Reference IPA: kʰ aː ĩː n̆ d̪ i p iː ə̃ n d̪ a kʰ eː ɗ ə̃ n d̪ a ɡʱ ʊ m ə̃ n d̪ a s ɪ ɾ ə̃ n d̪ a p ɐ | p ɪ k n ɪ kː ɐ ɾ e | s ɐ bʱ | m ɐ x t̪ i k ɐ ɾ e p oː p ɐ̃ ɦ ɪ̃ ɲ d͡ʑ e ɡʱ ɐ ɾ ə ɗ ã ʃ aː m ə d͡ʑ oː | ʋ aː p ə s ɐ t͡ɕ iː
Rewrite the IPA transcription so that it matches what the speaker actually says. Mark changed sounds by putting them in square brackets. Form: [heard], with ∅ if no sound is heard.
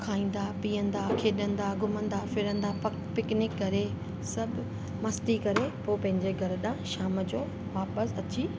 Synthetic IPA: kʰ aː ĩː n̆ d̪ [a] p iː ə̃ n d̪ a kʰ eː ɗ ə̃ n d̪ a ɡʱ ʊ m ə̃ n d̪ a [f] ɪ ɾ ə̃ n d̪ a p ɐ | p ɪ k n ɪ kː ɐ ɾ e | s ɐ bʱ | m ɐ [s] t̪ i k ɐ ɾ e p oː p ɐ̃ ɦ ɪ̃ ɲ d͡ʑ e ɡʱ ɐ ɾ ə ɗ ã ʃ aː m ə d͡ʑ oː | ʋ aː p ə s ɐ t͡ɕ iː